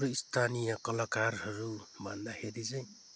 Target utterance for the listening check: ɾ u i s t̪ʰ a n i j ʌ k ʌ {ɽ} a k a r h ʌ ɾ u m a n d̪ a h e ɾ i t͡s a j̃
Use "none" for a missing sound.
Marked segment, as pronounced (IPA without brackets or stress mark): l